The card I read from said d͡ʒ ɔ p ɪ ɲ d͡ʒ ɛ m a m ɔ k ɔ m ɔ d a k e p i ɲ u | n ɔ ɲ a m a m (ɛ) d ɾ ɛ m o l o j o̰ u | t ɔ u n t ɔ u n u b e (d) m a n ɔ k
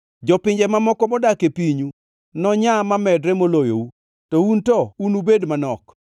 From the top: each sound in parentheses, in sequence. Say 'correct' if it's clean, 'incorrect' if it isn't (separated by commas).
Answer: correct, correct